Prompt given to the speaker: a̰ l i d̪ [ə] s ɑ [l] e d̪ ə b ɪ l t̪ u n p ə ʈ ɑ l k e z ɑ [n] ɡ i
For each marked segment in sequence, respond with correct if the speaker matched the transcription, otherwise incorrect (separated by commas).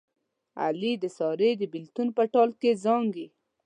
correct, incorrect, incorrect